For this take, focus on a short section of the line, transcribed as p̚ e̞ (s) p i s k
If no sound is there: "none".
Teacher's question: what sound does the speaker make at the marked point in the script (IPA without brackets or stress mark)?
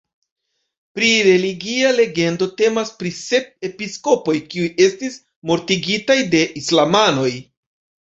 none